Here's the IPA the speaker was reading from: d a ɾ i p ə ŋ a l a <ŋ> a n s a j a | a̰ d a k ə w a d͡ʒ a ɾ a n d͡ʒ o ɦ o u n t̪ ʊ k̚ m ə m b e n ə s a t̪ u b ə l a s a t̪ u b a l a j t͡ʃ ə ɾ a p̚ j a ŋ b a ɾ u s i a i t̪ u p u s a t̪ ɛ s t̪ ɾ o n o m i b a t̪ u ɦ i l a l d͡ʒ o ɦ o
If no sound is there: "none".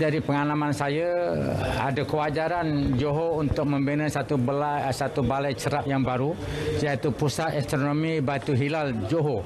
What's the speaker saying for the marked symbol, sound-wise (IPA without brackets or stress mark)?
m